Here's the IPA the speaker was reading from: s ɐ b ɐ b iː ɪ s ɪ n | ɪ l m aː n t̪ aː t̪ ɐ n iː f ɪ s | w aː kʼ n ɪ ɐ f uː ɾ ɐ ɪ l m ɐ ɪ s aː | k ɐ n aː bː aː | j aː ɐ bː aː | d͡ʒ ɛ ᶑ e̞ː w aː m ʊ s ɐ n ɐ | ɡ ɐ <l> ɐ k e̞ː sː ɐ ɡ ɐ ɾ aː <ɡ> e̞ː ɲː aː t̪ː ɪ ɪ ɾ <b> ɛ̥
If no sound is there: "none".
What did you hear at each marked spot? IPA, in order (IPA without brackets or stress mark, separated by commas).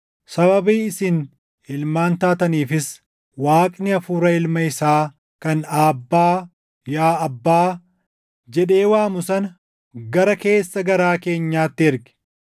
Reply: ɾ, k, ɡ